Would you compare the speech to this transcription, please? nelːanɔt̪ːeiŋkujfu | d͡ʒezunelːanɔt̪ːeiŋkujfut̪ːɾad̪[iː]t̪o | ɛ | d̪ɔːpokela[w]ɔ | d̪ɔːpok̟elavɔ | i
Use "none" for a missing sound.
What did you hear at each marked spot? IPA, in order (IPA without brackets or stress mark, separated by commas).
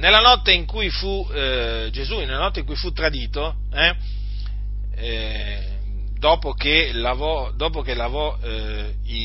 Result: iː, v